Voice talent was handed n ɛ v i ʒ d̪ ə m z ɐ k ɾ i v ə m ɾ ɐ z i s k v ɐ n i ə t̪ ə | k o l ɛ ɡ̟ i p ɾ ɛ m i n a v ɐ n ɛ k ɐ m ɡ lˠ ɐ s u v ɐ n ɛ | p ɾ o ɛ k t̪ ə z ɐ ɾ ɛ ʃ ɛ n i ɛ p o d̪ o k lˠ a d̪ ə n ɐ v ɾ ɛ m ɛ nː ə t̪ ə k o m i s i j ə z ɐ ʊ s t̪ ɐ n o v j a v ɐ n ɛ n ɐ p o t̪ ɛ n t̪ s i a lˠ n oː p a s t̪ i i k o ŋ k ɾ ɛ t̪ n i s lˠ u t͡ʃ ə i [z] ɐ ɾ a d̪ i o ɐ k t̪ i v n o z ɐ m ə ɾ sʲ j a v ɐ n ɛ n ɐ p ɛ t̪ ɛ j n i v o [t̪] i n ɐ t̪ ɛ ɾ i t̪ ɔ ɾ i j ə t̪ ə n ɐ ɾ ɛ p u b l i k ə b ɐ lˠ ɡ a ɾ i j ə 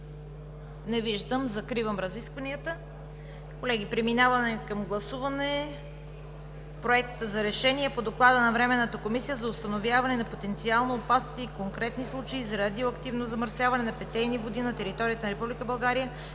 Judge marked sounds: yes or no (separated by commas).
yes, no